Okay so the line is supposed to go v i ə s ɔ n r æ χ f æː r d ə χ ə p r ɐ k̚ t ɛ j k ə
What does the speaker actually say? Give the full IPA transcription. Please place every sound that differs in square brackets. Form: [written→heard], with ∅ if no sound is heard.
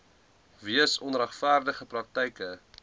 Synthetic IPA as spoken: v i ə s ɔ n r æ χ f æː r d ə χ ə p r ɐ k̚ t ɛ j k ə